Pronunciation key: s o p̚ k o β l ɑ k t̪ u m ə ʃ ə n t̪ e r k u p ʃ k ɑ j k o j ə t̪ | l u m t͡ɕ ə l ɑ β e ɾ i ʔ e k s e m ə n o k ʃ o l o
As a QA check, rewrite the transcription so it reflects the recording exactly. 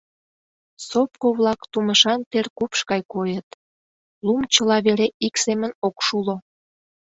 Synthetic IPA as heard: s o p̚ k o β l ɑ k t̪ u m ə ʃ ɑ n t̪ e r k u p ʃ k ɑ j k o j ə t̪ | l u m t͡ɕ ə l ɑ β e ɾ e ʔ i k s e m ə n o k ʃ u l o